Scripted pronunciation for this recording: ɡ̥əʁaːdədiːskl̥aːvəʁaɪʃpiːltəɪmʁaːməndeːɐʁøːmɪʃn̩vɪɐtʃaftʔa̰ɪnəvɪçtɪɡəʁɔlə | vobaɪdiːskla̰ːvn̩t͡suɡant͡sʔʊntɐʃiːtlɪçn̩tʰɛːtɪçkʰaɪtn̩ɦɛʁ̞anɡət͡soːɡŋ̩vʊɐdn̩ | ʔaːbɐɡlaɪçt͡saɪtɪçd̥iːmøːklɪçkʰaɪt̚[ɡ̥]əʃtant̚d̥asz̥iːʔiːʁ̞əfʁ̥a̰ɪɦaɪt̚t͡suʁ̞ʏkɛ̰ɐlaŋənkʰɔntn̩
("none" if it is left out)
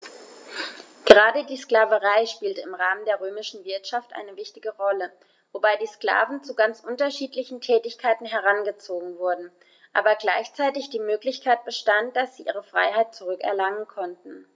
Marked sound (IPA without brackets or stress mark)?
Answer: b̥